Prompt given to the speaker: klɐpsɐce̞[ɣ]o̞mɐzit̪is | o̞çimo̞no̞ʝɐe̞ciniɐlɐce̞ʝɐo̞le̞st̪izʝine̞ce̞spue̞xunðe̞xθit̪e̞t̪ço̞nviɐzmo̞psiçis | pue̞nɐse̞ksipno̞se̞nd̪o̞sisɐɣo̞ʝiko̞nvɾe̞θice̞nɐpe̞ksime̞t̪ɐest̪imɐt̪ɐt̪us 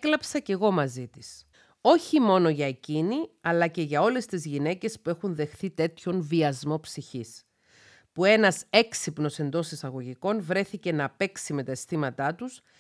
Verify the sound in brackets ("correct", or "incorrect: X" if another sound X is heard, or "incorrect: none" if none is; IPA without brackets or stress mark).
correct